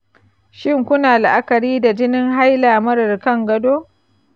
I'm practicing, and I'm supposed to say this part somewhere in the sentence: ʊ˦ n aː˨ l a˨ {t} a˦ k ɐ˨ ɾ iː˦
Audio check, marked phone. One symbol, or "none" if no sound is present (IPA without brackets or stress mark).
ʔ